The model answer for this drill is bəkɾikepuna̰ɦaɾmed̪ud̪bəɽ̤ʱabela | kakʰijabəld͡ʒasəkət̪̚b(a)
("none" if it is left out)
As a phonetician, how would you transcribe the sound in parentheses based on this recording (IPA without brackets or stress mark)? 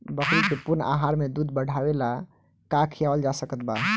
a